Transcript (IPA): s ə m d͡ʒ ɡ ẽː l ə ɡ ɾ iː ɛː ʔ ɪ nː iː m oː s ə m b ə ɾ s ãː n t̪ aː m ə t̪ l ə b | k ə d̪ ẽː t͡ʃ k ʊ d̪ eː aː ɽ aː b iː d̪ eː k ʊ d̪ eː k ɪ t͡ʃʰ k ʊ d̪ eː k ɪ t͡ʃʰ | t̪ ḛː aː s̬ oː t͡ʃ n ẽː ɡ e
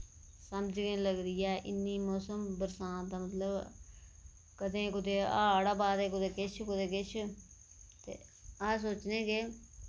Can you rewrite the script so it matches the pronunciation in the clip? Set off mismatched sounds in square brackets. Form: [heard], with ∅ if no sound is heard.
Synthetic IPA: s ə m d͡ʒ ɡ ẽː l ə ɡ ɾ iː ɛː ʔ ɪ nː iː m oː s ə m b ə ɾ s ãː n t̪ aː m ə t̪ l ə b | k ə d̪ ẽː [∅] k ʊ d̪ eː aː ɽ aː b [aː] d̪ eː k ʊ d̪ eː k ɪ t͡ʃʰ k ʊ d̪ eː k ɪ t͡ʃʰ | t̪ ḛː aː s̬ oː t͡ʃ n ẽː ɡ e